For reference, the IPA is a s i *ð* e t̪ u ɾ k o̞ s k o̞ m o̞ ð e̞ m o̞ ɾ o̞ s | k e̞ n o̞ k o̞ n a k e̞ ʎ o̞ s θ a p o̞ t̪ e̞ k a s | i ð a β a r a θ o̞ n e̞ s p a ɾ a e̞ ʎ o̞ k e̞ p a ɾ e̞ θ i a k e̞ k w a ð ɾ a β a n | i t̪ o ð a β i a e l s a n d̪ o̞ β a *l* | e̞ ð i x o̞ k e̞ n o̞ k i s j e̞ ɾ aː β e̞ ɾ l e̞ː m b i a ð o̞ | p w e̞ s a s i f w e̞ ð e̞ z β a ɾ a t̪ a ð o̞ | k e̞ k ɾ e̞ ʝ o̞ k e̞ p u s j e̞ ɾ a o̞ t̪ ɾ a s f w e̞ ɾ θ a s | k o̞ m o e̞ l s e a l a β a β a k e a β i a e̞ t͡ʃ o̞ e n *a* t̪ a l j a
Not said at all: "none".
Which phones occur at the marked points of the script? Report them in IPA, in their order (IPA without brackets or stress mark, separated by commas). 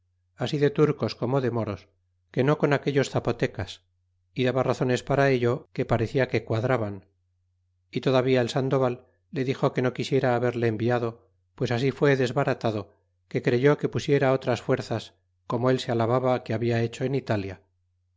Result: ð, lː, i